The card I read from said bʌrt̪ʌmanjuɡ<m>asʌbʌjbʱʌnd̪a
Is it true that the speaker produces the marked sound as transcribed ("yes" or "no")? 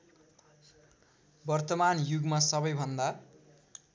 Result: yes